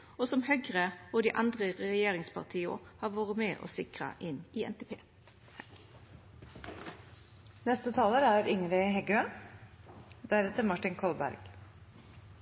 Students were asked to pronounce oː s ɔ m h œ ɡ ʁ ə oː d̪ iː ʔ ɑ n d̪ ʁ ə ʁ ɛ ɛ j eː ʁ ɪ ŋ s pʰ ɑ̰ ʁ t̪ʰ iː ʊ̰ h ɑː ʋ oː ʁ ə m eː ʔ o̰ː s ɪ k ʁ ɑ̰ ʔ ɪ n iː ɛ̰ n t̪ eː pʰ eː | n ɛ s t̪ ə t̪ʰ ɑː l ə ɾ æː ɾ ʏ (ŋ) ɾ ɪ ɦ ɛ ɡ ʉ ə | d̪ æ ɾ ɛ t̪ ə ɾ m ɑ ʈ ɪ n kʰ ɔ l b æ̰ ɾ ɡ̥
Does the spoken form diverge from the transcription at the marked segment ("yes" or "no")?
no